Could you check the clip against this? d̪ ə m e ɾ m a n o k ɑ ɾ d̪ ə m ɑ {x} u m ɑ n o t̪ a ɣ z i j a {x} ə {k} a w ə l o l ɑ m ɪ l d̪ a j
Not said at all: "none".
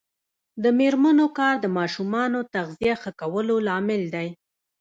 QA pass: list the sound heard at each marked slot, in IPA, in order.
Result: ʃ, x, k

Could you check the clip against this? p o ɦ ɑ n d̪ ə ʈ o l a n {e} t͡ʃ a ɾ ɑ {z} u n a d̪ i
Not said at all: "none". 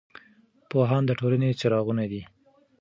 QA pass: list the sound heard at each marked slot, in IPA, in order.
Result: e, ɣ

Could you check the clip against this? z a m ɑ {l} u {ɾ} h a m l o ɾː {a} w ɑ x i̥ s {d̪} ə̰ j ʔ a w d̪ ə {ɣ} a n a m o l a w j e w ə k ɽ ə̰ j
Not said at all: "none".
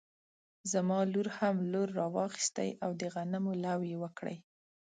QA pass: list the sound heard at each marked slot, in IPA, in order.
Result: l, ɾ, ɑ, t̪, ɣ

